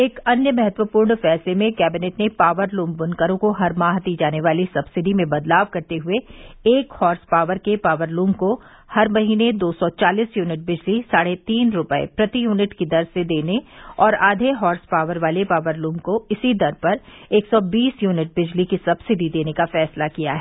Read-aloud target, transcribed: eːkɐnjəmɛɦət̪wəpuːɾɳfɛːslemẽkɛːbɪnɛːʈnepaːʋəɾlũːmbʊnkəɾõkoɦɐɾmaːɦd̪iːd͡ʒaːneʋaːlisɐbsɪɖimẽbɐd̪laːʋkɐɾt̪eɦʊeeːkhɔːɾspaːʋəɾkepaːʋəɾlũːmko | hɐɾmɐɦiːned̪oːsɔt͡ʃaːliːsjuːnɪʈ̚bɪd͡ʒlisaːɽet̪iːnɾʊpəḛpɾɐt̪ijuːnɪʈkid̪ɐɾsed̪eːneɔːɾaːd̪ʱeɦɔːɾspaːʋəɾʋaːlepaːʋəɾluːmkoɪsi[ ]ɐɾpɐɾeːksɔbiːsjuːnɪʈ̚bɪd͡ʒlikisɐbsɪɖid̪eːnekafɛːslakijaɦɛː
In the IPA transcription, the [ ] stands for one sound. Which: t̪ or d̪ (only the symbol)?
d̪